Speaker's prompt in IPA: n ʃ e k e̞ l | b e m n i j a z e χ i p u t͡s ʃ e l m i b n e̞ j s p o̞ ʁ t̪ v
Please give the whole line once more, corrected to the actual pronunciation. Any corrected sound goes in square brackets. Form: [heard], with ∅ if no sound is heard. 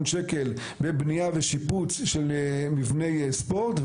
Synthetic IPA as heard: n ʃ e k e̞ l | b e [b] n i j a [v] e [ʃ] i p u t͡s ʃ e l m i [v] n e̞ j s p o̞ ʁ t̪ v